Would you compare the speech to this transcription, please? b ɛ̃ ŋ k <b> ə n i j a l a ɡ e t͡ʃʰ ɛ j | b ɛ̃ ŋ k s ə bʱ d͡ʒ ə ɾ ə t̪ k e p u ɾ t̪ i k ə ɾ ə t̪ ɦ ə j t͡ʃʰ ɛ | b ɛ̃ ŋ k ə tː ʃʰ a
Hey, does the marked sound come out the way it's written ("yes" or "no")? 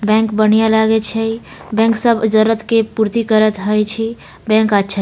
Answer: yes